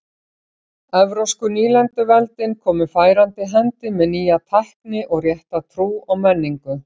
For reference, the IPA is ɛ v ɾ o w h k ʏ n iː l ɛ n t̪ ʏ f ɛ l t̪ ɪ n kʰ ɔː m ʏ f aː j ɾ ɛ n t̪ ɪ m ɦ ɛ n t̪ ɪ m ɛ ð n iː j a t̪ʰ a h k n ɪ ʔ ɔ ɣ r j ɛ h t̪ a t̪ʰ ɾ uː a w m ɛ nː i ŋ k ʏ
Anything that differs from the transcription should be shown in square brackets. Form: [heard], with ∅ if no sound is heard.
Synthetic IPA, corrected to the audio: ɛ v ɾ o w [s] k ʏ n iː l ɛ n t̪ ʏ [v] ɛ l t̪ ɪ n kʰ ɔː m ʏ f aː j ɾ [a] n t̪ ɪ [∅] ɦ ɛ n t̪ ɪ m ɛ ð n iː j a t̪ʰ a h k n ɪ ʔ ɔ ɣ r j ɛ h t̪ a t̪ʰ ɾ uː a w m ɛ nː i ŋ k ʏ